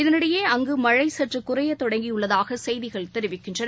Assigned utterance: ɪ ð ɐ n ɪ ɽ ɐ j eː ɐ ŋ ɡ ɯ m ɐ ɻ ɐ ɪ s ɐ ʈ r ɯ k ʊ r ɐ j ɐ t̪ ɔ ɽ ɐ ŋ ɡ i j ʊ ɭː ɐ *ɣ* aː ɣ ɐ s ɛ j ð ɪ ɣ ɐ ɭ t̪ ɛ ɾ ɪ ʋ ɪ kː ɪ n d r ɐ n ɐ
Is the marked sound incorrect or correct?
incorrect